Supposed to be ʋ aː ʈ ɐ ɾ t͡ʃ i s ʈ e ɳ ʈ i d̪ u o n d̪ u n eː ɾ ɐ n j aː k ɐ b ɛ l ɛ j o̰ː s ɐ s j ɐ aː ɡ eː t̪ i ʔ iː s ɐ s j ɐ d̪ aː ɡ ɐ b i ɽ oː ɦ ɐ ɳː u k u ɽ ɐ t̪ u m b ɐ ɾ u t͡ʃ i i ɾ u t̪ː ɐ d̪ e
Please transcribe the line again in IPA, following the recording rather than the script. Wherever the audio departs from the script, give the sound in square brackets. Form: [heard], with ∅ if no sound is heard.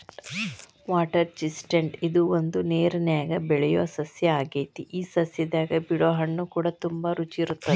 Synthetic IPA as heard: ʋ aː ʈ ɐ ɾ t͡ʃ i s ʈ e ɳ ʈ i d̪ u o n d̪ u n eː ɾ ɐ n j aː [ɡ] ɐ b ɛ [ɭ] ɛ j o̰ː s ɐ s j ɐ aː ɡ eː t̪ i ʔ iː s ɐ s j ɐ d̪ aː ɡ ɐ b i ɽ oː ɦ ɐ ɳː u k [uː] ɽ ɐ t̪ u m b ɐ ɾ u t͡ʃ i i ɾ u t̪ː ɐ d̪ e

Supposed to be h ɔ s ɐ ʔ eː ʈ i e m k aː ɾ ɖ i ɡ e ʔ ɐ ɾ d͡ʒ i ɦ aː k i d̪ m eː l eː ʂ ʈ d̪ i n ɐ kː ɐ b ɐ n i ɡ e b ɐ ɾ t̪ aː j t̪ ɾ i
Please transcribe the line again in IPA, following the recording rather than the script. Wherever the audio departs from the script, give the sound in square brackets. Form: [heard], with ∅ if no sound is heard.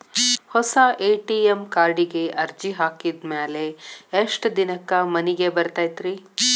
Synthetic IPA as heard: h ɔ s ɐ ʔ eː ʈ i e m k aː ɾ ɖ i ɡ e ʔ ɐ ɾ d͡ʒ i ɦ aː k i d̪ m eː l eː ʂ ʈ d̪ i n ɐ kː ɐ [m] ɐ n i ɡ e b ɐ ɾ t̪ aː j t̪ ɾ i

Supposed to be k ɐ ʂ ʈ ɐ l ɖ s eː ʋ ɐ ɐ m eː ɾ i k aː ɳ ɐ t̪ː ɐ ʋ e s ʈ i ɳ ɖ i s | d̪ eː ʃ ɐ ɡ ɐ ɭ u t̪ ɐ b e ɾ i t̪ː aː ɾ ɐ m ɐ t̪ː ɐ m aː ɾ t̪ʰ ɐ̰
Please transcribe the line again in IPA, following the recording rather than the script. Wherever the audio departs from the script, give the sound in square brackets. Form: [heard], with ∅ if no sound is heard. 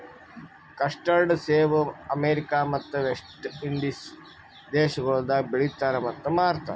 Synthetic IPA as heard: k ɐ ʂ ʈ ɐ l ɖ s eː ʋ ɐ ɐ m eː ɾ i k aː [m] ɐ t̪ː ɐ ʋ e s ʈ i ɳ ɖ i s | d̪ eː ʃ ɐ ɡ ɐ ɭ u [d̪] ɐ b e [ɭ] i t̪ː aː ɾ ɐ m ɐ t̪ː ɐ m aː ɾ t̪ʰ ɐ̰

